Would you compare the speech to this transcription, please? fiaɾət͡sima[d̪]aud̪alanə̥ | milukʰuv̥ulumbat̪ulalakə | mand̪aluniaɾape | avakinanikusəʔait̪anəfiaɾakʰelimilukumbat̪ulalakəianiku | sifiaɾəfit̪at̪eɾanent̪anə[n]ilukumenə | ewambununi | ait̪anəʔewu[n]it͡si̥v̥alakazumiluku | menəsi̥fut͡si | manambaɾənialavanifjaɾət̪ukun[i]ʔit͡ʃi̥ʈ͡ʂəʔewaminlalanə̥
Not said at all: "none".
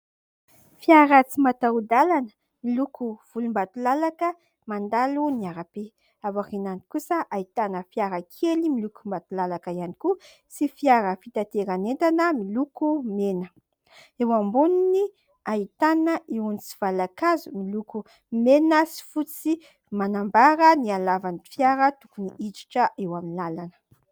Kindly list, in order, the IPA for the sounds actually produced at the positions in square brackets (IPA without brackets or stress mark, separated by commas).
t̪, m, n, i